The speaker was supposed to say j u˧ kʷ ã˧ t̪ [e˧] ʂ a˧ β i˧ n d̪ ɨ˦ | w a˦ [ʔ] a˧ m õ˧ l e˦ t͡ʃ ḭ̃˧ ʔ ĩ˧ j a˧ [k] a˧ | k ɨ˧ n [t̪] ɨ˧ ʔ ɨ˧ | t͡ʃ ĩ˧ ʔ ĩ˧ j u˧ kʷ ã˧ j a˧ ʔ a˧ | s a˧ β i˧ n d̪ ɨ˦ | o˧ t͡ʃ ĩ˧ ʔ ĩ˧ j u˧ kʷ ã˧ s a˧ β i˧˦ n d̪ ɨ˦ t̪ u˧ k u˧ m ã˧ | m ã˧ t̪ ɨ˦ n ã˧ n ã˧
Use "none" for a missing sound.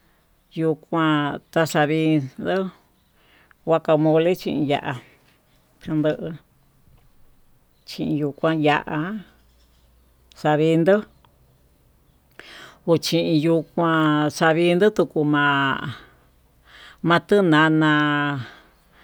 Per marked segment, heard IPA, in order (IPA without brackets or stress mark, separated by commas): a˧, k, ʔ, d̪